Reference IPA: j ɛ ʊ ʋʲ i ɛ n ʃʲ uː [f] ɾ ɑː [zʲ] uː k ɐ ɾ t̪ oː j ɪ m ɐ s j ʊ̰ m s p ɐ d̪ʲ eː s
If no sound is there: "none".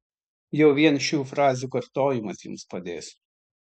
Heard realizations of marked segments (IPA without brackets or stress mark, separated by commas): f, zʲ